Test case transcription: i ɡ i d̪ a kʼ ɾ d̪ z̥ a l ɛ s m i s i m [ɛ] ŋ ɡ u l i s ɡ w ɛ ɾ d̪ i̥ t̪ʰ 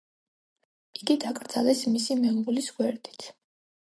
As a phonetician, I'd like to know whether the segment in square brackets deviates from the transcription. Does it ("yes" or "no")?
no